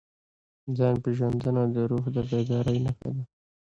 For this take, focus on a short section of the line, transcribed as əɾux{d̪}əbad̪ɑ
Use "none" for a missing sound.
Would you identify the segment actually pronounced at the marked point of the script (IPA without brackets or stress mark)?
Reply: d̪